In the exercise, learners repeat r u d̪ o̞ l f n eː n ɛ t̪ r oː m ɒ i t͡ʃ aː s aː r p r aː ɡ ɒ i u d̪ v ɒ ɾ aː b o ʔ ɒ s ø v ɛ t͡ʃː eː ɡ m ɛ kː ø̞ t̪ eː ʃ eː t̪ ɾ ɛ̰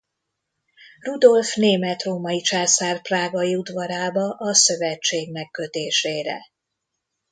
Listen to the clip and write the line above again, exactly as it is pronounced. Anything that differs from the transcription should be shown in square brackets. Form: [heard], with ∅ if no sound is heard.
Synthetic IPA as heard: r u d̪ o̞ l f n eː [m] ɛ t̪ r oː m ɒ i t͡ʃ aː s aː r p r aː ɡ ɒ i u d̪ v ɒ ɾ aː b [ɒ] ʔ ɒ s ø v ɛ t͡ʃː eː ɡ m ɛ kː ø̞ t̪ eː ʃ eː [∅] ɾ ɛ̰